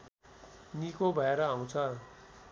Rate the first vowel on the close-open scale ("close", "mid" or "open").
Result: close